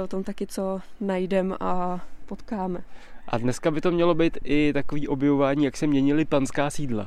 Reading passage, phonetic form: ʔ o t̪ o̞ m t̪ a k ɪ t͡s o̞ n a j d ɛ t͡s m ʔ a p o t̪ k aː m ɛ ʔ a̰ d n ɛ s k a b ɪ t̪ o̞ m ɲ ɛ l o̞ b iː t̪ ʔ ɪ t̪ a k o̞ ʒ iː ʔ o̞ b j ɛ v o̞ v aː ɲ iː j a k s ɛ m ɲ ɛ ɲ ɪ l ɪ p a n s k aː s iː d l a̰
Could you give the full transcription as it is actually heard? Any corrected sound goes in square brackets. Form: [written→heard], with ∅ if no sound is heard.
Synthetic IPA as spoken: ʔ o t̪ o̞ m t̪ a k ɪ t͡s o̞ n a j d ɛ [t͡s→∅] m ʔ a p o t̪ k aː m ɛ ʔ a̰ d n ɛ s k a b ɪ t̪ o̞ m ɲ ɛ l o̞ b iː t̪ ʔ ɪ t̪ a k o̞ [ʒ→v] iː ʔ o̞ b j ɛ v o̞ v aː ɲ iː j a k s ɛ m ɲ ɛ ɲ ɪ l ɪ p a n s k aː s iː d l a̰